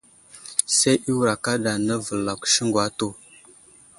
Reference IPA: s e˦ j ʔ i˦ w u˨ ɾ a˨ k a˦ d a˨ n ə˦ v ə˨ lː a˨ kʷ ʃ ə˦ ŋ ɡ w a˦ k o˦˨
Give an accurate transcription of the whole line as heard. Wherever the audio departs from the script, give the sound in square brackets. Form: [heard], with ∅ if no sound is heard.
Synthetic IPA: s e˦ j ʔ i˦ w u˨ ɾ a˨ k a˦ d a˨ n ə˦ v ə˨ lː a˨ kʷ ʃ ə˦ ŋ ɡ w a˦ [t] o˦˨